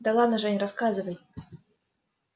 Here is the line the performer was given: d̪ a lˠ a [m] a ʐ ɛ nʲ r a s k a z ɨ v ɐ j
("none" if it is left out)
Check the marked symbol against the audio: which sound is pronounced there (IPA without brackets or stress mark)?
n